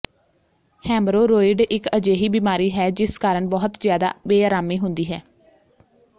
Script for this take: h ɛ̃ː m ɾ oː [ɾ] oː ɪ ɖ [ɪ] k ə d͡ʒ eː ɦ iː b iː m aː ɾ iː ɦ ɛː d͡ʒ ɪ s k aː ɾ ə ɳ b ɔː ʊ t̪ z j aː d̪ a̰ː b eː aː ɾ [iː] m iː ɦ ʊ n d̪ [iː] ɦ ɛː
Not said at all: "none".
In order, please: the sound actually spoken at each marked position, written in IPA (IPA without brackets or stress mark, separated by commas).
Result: ɾ, ɪ, aː, iː